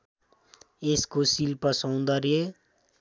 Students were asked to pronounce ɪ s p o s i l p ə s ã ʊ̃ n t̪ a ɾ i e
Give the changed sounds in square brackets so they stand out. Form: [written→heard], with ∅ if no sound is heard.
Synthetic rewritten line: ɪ s [p→k] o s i l p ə s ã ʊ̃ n [t̪→d̪] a ɾ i e

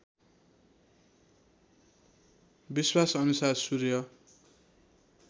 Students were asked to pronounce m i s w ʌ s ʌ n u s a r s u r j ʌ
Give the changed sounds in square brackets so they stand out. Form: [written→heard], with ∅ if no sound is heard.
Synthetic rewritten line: [m→b] i s w [ʌ→a] s ʌ n u s a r s u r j ʌ

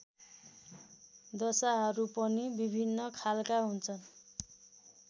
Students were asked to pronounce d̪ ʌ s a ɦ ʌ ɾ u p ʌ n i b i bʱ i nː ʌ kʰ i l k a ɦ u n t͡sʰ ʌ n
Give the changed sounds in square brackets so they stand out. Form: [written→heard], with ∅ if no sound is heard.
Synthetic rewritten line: d̪ ʌ s a ɦ ʌ ɾ u p ʌ n i b i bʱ i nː ʌ kʰ [i→a] l k a ɦ u n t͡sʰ ʌ n

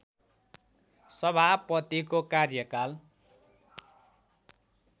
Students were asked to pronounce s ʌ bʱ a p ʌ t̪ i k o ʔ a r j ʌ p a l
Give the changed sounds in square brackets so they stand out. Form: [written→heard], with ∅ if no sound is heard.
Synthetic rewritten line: s ʌ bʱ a p ʌ t̪ i k o [ʔ→k] a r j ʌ [p→k] a l

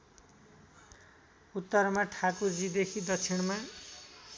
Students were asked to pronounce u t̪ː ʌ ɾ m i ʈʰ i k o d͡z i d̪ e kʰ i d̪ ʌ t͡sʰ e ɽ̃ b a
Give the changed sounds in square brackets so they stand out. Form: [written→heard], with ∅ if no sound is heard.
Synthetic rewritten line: u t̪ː ʌ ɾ m [i→a] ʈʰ [i→a] k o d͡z i d̪ e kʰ i d̪ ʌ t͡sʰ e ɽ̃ [b→m] a

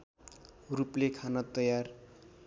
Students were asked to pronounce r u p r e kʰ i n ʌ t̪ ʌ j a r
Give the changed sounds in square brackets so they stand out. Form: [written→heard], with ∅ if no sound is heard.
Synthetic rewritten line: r u p [r→l] e kʰ [i→a] n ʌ t̪ ʌ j a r

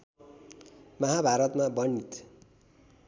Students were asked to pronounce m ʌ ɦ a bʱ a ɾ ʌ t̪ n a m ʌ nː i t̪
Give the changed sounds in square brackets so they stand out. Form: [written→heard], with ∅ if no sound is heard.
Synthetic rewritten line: m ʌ ɦ a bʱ a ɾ ʌ t̪ [n→m] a [m→b] ʌ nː i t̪

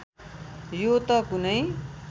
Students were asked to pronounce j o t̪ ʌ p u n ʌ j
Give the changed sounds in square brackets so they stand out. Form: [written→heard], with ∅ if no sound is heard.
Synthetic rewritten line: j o t̪ ʌ [p→k] u n ʌ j

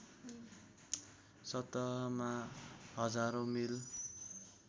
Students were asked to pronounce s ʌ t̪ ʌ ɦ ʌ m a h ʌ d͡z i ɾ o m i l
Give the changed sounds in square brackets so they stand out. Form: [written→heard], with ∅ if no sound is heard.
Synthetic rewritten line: s ʌ t̪ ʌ ɦ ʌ m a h ʌ d͡z [i→a] ɾ o m i l

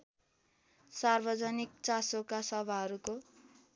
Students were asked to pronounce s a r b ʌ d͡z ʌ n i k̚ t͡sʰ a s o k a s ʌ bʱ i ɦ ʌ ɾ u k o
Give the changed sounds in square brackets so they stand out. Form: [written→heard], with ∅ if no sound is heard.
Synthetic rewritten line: s a r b ʌ d͡z ʌ n i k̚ [t͡sʰ→t͡s] a s o k a s ʌ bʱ [i→a] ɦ ʌ ɾ u k o

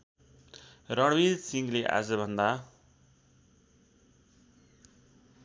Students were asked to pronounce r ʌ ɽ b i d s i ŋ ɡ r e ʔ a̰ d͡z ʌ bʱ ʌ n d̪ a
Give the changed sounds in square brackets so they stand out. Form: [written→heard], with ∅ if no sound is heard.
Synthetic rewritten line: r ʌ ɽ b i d s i ŋ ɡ [r→l] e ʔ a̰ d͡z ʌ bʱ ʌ n d̪ a

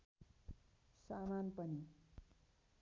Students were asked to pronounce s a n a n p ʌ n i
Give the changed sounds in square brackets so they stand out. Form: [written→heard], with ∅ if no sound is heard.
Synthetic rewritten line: s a [n→m] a n p ʌ n i

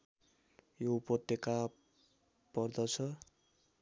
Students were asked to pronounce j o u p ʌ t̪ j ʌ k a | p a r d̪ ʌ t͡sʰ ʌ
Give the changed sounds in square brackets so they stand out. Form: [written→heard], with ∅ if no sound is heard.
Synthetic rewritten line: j o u p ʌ t̪ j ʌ k a | p [a→ʌ] r d̪ ʌ t͡sʰ ʌ

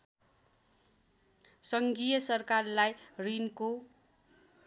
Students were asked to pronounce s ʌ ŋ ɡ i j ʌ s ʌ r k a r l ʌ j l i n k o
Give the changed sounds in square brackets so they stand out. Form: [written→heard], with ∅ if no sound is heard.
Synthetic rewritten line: s ʌ ŋ ɡ i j ʌ s ʌ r k a r l [ʌ→a] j [l→r] i n k o

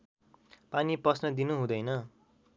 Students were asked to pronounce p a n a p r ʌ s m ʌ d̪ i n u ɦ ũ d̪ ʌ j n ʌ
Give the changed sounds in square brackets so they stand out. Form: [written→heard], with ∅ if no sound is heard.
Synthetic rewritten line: p a n [a→i] p r ʌ s [m→n] ʌ d̪ i n u ɦ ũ d̪ ʌ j n ʌ

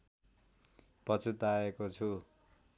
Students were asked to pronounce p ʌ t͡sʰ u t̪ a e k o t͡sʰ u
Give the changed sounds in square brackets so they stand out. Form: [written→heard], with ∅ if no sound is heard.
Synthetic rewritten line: p ʌ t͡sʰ u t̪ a e k o t͡sʰ u

